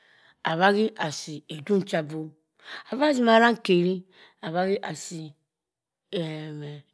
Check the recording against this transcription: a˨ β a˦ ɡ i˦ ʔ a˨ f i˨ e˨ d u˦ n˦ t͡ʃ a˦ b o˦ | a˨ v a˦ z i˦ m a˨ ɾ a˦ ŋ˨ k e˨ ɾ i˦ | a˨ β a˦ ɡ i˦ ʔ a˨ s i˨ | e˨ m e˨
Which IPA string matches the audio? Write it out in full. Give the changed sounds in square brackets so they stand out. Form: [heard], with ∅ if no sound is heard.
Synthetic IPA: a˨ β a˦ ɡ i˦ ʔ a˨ [s] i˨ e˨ d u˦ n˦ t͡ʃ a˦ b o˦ | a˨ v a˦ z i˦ m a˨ ɾ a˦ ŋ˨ k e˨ ɾ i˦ | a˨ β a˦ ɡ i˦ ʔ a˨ s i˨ | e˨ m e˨